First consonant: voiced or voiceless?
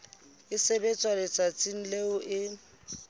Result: voiceless